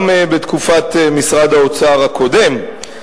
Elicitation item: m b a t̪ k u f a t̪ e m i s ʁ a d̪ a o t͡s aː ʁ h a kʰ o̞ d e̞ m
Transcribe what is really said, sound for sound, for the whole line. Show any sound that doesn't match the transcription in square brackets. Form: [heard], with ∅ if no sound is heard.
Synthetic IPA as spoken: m b [e] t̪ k u f a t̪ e m i s ʁ a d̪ a o t͡s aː ʁ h a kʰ o̞ d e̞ m